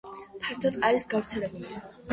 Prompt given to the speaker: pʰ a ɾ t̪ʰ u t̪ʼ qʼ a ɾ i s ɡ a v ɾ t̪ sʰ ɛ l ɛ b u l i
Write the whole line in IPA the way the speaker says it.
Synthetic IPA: pʰ a ɾ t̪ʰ ɔ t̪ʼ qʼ a ɾ i s ɡ a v ɾ t̪ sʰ ɛ l ɛ b u l i